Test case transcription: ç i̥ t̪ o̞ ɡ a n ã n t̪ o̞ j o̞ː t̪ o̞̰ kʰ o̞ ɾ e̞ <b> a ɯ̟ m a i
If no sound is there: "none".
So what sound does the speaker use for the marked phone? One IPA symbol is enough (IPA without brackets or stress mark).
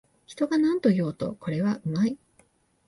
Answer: β